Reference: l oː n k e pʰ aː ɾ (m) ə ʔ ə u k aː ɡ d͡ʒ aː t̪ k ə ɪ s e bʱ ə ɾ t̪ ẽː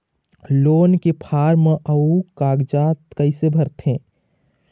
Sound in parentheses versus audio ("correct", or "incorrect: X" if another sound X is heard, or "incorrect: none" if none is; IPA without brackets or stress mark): correct